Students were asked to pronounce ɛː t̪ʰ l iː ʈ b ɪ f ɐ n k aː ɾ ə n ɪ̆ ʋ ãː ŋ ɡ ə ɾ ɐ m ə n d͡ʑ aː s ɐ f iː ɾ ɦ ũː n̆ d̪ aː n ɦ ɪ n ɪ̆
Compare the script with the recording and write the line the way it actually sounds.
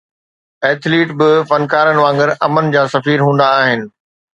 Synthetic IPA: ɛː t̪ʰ l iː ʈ b ɪ f ɐ n k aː ɾ ə n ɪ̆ ʋ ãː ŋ ɡ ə ɾ ɐ m ə n d͡ʑ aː s ɐ f iː ɾ ɦ ũː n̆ d̪ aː ɦ ɪ n ɪ̆